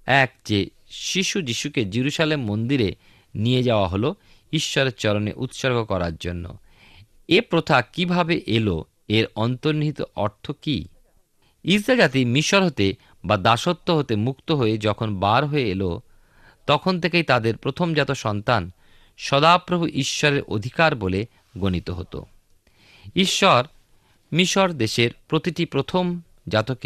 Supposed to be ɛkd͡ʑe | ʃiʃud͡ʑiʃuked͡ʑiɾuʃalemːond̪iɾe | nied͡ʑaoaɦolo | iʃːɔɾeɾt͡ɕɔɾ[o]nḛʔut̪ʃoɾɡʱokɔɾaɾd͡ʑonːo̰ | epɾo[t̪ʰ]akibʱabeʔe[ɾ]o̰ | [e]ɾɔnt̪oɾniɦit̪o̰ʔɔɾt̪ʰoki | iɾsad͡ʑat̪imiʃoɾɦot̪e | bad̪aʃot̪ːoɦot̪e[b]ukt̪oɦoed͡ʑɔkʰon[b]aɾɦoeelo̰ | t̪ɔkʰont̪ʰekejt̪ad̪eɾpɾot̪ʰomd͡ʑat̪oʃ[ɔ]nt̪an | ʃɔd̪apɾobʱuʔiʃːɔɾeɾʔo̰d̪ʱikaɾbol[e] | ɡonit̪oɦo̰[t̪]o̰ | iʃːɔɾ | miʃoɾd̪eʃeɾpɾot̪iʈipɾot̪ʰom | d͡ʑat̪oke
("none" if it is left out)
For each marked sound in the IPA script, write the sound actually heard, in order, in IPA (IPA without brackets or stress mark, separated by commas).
o, t̪ʰ, l, e, m, b, ɔ, e, t̪